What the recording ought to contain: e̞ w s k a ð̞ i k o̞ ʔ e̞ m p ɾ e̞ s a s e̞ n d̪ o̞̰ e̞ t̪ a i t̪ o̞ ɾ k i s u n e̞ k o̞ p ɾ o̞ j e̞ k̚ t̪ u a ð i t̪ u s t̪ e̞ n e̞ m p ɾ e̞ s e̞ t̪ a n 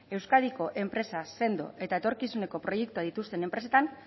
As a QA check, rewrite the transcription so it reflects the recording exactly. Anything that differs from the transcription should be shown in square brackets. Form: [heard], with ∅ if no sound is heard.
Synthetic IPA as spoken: e̞ w s k a ð̞ i k o̞ ʔ e̞ m p ɾ e̞ s a s e̞ n d̪ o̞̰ e̞ t̪ a [e] t̪ o̞ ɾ k i s u n e̞ k o̞ p ɾ o̞ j e̞ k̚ t̪ u a ð i t̪ u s t̪ e̞ n e̞ m p ɾ e̞ s e̞ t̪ a n